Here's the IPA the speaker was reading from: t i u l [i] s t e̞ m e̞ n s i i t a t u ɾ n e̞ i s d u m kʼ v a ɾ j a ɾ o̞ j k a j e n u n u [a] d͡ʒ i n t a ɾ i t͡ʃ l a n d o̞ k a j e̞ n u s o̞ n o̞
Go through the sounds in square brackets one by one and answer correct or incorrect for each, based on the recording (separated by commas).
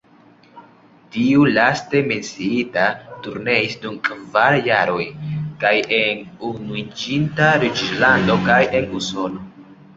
incorrect, incorrect